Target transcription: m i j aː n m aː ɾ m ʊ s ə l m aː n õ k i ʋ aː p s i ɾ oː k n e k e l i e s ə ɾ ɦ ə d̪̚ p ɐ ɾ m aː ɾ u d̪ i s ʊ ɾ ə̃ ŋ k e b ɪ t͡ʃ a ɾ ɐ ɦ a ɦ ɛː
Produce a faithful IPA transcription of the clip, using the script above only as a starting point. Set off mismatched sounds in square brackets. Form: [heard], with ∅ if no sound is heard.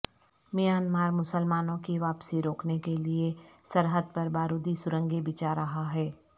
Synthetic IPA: m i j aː n m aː ɾ m ʊ s ə l m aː n õ k i ʋ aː p s i ɾ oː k n e k e l i e s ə ɾ ɦ ə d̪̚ p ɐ ɾ [b] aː ɾ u d̪ i s ʊ ɾ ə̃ ŋ [ɡ] e b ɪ t͡ʃ a ɾ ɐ ɦ a ɦ ɛː